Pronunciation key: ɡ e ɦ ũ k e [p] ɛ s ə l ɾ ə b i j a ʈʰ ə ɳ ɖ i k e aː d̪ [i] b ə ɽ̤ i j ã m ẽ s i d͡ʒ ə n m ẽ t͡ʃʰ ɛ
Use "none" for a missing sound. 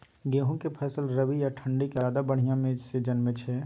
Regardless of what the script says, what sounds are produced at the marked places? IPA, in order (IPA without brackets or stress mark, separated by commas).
pʰ, a